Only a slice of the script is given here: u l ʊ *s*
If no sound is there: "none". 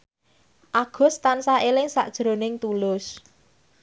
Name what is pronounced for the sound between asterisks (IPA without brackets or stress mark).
s